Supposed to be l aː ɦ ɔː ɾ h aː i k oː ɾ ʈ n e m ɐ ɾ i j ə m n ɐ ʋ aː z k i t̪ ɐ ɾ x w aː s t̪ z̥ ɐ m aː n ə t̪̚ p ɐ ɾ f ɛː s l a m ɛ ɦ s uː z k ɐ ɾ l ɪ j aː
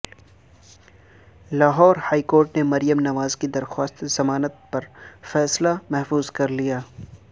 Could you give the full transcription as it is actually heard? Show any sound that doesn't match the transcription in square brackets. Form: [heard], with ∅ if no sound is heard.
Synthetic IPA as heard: l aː ɦ ɔː ɾ h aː i k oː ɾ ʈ n e m ɐ ɾ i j ə m n ɐ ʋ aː z k i [d̪] ɐ ɾ x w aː s t̪ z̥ ɐ m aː n ə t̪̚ p ɐ ɾ f ɛː s l a m ɛ ɦ [f] uː z k ɐ ɾ l [i] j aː